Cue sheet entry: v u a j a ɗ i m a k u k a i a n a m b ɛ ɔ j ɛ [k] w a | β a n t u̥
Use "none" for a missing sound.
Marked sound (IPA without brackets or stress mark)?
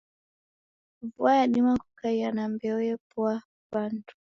p